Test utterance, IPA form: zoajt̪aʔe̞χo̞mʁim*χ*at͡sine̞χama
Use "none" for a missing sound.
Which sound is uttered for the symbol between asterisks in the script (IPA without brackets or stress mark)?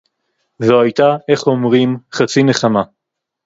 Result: χ